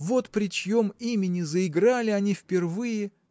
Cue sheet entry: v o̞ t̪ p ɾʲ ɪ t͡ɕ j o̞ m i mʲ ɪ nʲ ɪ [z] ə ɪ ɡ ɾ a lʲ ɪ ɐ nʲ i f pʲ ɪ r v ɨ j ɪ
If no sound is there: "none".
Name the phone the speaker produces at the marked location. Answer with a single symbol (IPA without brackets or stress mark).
z